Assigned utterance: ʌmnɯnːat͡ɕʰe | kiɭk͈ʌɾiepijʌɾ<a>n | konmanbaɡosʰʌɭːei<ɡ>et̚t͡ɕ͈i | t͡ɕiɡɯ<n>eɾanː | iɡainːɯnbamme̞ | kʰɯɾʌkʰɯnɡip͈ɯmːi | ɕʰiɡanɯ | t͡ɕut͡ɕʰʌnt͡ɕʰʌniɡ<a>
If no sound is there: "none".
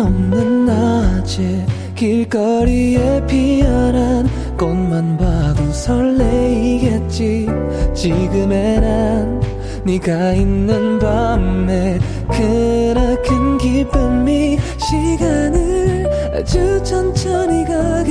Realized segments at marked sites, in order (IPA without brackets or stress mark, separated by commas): a, ɡ, m, a